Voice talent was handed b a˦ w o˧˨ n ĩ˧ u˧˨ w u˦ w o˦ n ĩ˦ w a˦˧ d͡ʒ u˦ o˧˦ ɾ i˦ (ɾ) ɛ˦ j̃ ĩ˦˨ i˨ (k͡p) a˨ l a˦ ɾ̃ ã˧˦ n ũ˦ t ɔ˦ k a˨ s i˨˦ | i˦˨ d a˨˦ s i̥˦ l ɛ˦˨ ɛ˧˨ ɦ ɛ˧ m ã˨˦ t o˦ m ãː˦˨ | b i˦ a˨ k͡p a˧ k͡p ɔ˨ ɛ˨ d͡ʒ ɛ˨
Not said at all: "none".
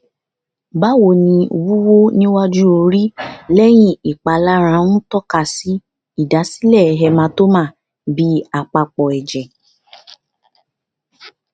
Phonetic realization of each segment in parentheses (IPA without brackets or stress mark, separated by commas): l, k͡p